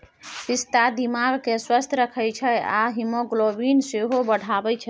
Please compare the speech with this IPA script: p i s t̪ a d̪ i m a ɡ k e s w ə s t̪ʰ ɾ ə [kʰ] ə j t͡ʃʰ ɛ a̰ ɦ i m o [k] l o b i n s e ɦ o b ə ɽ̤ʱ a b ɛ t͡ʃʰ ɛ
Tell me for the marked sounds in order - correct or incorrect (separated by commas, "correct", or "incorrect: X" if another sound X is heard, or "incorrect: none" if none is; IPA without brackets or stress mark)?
correct, incorrect: ɡ